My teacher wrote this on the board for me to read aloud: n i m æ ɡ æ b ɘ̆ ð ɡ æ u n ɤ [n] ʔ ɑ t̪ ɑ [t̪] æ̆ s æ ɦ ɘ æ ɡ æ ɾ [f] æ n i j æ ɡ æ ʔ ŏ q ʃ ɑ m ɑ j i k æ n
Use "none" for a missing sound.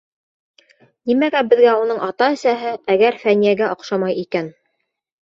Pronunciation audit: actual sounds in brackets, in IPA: ɴ, none, f

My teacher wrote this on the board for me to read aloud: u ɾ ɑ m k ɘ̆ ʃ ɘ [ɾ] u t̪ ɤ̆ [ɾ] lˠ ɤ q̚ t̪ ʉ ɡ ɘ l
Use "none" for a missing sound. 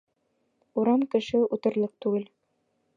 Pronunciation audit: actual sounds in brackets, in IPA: none, ɾ

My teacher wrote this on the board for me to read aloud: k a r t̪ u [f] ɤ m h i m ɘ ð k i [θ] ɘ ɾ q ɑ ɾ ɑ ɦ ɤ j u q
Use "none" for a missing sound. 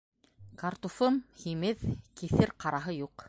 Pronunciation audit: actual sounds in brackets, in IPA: f, θ

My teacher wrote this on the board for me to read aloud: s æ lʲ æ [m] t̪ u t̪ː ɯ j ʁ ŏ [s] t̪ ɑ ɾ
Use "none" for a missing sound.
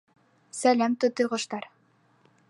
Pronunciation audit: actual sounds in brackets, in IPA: m, ʃ

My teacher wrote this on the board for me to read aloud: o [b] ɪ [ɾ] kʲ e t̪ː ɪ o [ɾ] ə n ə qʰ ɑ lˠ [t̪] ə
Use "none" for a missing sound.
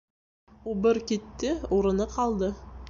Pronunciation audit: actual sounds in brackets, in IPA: b, ɾ, ɾ, d̪

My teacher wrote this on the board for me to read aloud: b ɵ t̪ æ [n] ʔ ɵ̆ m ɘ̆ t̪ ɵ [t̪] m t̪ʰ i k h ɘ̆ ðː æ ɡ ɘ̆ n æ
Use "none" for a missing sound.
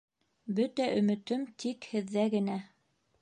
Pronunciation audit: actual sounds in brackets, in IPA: none, none

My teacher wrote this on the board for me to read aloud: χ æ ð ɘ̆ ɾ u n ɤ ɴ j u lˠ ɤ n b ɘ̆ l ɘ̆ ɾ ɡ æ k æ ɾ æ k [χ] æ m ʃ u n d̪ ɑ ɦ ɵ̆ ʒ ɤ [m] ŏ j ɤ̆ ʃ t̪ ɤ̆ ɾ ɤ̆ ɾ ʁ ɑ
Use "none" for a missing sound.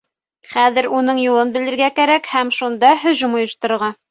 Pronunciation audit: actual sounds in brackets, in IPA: h, m

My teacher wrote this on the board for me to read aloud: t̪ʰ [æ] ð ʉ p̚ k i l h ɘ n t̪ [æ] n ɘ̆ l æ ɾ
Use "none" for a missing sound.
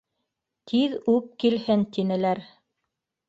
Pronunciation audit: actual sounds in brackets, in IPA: i, i

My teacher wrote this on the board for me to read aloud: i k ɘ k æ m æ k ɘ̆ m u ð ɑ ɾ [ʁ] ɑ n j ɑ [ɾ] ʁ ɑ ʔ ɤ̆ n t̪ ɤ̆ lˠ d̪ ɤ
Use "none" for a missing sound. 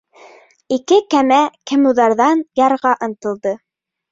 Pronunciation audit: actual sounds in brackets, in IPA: ð, ɾ

